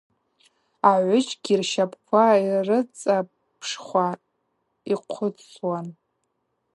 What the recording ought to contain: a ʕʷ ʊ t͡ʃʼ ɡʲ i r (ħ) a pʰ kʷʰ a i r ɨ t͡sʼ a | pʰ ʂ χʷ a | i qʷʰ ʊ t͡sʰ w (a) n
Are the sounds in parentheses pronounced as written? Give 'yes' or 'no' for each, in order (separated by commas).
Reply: no, yes